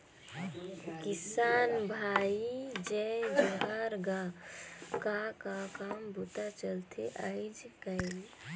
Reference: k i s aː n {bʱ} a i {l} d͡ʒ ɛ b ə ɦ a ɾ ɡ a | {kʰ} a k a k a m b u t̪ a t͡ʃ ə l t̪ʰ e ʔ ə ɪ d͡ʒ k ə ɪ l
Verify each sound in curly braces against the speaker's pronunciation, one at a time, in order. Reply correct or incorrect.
correct, incorrect, incorrect

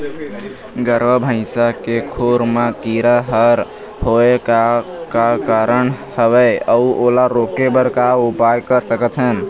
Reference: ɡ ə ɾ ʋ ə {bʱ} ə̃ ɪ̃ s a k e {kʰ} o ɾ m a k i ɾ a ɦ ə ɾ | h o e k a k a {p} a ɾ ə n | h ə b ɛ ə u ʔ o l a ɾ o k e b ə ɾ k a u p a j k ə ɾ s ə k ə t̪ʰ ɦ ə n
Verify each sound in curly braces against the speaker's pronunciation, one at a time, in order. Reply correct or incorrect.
correct, correct, incorrect

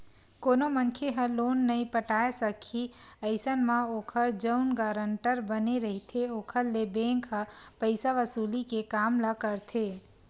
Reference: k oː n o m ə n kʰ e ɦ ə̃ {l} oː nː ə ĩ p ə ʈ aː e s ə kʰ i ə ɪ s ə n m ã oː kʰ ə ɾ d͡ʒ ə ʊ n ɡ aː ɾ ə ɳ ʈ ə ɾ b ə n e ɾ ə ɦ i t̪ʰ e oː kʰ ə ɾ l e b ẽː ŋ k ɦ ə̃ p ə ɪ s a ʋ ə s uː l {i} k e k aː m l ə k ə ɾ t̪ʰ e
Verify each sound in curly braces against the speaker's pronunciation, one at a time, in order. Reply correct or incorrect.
correct, correct

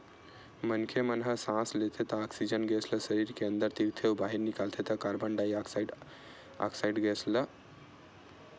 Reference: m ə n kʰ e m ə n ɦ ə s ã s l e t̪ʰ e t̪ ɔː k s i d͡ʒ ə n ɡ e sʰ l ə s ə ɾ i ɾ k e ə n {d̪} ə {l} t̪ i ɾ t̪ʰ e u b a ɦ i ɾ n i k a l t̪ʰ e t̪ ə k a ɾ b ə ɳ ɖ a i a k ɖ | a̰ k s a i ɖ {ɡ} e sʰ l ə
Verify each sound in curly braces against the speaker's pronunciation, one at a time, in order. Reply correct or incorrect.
correct, incorrect, correct

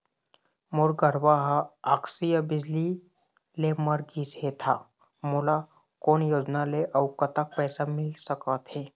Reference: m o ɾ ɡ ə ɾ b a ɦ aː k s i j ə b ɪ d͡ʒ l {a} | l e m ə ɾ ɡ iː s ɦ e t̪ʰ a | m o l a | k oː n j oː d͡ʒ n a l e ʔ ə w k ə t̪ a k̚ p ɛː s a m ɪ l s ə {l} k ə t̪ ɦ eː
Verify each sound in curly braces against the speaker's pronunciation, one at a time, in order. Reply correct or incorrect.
incorrect, incorrect

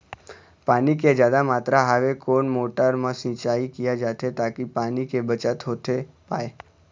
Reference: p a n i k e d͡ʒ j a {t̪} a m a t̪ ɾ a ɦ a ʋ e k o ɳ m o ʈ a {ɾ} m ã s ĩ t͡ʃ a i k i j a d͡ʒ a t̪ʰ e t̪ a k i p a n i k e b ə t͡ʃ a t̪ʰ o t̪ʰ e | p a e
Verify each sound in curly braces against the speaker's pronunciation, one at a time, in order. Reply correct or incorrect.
incorrect, correct

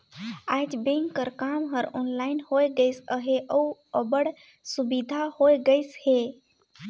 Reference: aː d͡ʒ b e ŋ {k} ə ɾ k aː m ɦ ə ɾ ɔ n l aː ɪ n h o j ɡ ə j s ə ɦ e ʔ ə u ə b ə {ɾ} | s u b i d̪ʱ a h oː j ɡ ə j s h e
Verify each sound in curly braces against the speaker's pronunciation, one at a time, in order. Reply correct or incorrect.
correct, incorrect

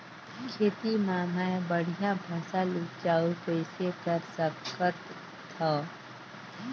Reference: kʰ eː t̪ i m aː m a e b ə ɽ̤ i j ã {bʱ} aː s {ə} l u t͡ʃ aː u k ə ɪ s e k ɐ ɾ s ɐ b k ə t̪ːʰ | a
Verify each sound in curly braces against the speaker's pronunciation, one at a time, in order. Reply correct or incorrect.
correct, incorrect

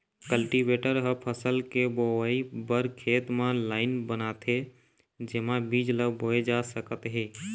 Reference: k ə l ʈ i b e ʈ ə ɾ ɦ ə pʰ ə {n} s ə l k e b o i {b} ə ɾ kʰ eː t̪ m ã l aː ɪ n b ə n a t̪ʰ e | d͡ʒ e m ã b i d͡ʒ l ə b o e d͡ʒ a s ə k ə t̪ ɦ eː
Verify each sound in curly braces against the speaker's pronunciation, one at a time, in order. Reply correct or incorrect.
incorrect, correct

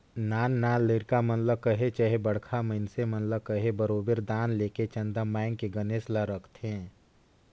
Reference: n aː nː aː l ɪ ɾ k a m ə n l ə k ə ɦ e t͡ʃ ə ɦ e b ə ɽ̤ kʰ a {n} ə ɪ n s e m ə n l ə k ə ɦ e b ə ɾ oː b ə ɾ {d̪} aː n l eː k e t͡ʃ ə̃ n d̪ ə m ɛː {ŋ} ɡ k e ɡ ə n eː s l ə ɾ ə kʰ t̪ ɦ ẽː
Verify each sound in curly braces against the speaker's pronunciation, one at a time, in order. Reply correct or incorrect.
incorrect, correct, correct

